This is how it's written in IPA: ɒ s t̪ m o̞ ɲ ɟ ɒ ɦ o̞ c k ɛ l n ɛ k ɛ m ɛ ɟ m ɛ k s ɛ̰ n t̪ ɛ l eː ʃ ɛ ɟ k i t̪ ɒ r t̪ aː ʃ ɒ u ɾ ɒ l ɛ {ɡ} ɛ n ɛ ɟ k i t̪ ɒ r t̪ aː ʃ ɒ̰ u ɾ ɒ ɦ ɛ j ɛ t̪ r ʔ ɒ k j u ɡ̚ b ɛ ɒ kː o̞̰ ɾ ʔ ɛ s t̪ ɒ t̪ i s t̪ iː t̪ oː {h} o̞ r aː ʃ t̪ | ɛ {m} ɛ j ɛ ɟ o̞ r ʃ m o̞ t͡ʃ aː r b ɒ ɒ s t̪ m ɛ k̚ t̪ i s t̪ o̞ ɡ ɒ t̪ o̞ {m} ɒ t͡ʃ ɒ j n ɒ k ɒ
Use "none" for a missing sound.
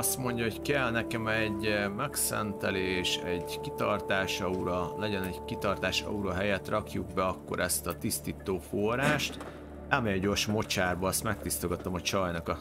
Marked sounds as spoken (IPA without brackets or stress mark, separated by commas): ɟ, f, m, m